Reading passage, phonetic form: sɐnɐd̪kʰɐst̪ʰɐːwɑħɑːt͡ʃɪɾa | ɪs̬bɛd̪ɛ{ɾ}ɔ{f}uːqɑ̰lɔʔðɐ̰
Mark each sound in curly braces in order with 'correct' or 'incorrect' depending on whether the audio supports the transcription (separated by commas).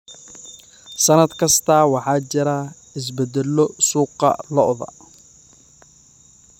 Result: incorrect, incorrect